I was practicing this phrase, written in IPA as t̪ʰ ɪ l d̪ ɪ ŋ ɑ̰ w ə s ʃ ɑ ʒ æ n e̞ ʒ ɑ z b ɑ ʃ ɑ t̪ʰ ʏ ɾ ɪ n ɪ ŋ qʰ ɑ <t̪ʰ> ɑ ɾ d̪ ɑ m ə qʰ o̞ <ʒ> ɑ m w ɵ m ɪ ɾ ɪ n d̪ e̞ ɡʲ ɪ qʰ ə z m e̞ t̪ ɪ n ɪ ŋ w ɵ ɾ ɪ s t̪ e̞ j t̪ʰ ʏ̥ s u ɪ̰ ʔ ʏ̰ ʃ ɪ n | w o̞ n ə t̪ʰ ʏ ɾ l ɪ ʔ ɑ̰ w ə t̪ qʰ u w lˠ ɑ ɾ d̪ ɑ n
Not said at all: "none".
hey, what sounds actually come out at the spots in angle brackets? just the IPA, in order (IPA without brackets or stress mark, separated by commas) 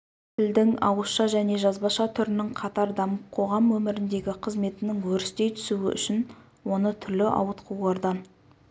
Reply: t̪, ʁ